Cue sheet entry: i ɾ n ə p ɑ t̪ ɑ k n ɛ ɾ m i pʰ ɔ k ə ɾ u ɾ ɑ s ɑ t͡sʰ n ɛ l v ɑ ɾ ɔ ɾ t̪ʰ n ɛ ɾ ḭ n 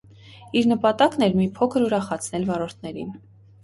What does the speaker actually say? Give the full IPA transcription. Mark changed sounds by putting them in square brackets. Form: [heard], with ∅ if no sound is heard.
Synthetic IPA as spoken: i ɾ n ə p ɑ t̪ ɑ k n ɛ ɾ m i pʰ ɔ [kʰ] ə ɾ u ɾ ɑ [χ] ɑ t͡sʰ n ɛ l v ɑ ɾ ɔ ɾ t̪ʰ n ɛ ɾ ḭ n